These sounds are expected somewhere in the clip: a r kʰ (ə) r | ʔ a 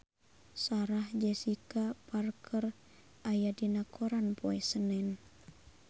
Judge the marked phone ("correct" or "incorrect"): correct